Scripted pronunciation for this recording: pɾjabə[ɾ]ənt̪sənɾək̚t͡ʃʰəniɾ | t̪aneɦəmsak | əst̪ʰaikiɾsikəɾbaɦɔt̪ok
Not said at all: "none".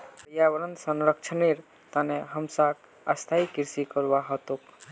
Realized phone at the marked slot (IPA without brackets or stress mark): ɾ